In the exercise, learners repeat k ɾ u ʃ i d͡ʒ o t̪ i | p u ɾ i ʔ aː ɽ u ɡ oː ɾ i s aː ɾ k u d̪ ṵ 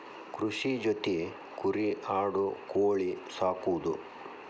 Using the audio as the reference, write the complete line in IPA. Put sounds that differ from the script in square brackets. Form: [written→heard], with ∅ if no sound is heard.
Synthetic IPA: k ɾ u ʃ i d͡ʒ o t̪ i | [p→k] u ɾ i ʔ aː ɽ u [ɡ→k] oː [ɾ→ɭ] i s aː [ɾ→∅] k u d̪ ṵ